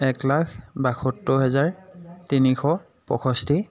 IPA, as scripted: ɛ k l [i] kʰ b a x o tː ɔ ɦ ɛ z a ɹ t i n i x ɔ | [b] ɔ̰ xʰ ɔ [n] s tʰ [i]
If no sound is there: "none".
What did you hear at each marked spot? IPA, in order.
a, p, none, i

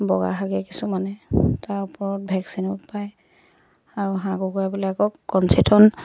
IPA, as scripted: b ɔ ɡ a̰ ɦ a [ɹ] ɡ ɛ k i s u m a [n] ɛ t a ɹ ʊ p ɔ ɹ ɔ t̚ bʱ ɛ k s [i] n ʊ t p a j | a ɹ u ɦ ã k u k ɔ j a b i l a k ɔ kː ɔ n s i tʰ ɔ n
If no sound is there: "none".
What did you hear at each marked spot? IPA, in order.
none, n, i

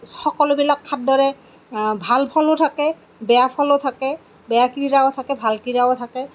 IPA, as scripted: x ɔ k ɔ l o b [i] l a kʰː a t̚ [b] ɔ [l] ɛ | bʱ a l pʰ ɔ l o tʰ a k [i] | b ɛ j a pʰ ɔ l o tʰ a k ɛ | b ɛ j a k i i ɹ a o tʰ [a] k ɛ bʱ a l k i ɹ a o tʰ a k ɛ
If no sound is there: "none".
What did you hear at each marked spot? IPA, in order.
i, d, ɹ, ɛ, a

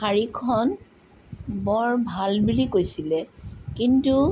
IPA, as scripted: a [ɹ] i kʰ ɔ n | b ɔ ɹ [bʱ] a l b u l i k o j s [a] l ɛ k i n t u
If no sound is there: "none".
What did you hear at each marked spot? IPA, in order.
ɹ, bʱ, i

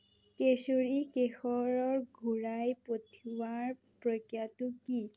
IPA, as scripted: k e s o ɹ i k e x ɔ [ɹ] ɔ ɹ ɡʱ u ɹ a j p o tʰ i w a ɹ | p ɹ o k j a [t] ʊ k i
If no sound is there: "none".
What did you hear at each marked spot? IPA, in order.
ɹ, t

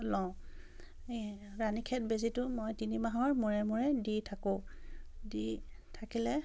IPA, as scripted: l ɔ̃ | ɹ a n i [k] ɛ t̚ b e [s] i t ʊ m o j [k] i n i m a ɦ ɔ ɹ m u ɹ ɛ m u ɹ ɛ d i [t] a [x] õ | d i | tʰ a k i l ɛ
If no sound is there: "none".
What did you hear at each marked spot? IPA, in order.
kʰ, z, t, tʰ, k

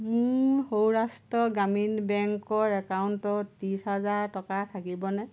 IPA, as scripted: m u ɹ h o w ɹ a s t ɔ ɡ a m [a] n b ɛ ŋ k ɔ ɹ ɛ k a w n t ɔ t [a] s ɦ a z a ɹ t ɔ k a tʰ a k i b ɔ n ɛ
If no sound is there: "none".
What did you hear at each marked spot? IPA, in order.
i, i

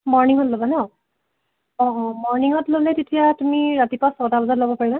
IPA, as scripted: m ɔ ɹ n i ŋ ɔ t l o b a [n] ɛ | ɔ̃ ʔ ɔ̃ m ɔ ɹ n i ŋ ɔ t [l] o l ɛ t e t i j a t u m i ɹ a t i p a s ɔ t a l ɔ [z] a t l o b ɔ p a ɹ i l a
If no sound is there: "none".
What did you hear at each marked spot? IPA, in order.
n, l, z

